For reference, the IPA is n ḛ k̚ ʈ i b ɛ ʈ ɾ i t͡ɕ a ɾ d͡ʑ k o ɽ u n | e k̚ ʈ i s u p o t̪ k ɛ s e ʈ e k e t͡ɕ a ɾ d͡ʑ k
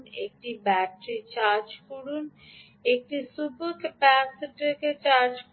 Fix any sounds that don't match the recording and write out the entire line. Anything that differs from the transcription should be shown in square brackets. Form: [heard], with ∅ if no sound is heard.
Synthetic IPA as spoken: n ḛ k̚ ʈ i b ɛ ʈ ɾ i t͡ɕ a ɾ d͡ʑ k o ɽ u n | e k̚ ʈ i s u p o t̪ [p] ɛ s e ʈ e k e t͡ɕ a ɾ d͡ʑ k